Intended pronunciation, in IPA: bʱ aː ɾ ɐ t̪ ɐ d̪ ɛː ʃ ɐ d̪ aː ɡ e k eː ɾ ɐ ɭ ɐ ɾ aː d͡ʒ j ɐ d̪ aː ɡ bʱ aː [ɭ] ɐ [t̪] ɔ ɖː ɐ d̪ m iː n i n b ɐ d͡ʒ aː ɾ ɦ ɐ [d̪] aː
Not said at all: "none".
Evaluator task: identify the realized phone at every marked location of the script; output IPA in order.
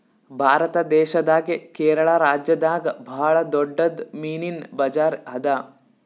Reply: ɭ, d̪, d̪

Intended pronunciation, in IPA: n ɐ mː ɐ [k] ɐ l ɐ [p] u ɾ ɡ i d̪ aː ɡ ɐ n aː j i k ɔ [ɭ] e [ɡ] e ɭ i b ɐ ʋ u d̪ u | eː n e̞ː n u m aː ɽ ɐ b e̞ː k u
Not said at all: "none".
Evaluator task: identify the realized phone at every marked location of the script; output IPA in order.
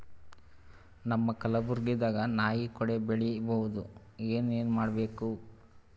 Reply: k, b, ɽ, b

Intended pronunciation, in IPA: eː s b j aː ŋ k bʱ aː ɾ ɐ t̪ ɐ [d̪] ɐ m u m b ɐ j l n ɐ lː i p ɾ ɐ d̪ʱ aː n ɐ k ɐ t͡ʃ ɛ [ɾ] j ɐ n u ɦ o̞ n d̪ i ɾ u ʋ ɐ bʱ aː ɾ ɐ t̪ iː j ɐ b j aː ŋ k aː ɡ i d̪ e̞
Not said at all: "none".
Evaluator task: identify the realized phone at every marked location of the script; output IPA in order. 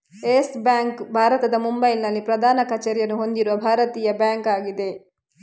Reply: d̪, ɾ

